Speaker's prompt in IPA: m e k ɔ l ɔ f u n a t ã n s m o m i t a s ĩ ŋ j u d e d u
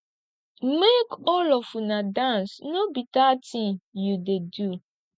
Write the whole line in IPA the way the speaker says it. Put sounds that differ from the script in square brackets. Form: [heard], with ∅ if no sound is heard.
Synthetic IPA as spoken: m e k ɔ l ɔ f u n a [d] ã n s [n] o [b] i t a [t] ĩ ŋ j u d e d u